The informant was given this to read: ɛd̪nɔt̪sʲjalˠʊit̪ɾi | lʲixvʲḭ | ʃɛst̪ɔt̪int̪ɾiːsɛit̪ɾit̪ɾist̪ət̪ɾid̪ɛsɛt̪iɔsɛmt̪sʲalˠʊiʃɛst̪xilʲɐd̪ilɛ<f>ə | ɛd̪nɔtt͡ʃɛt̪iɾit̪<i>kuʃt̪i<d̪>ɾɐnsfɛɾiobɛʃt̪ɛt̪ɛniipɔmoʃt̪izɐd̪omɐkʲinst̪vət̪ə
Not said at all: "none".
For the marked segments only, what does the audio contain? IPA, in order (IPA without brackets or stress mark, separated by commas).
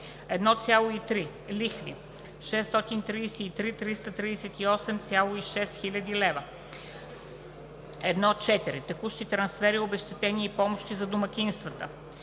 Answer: v, ɛ, t̪